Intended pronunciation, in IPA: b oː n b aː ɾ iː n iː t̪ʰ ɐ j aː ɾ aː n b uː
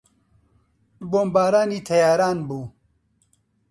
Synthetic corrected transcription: b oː m b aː ɾ aː n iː t̪ʰ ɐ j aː ɾ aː n b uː